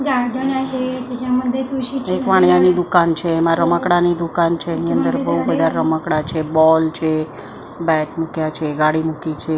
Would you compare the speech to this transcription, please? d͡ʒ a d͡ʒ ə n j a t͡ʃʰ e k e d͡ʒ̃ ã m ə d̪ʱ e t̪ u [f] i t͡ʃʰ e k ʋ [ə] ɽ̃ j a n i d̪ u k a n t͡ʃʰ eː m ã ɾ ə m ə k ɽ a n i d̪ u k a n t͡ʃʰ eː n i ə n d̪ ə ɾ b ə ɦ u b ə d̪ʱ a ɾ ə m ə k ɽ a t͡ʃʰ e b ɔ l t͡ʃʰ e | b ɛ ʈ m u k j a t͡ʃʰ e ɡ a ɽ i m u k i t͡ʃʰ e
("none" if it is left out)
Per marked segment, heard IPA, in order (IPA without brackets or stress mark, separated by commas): ʃ, a